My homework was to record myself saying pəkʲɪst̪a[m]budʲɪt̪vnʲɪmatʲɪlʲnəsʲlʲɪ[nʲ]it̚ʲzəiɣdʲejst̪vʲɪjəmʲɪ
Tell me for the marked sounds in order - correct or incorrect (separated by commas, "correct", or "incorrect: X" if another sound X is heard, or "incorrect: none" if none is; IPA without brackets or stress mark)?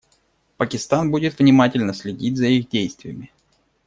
incorrect: n, incorrect: dʲ